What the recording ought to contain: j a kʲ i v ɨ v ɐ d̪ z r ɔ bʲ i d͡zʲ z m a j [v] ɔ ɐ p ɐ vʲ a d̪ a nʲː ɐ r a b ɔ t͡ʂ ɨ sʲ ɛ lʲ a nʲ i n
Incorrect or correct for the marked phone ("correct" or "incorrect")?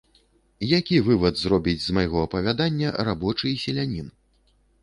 incorrect